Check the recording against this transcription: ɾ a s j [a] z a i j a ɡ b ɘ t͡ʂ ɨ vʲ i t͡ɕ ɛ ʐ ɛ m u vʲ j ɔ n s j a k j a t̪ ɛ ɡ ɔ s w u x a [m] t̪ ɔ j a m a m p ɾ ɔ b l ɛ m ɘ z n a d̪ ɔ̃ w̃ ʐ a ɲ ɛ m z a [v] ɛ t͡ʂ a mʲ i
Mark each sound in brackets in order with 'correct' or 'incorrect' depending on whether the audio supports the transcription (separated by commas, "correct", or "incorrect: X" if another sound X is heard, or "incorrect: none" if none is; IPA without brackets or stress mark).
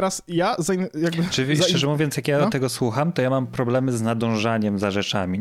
correct, correct, incorrect: ʐ